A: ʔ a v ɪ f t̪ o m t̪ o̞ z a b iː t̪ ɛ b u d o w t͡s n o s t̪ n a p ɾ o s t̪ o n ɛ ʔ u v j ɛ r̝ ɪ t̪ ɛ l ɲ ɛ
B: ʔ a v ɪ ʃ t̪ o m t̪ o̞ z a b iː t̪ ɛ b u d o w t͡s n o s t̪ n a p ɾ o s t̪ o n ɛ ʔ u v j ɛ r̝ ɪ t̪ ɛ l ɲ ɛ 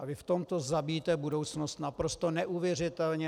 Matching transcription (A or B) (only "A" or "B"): A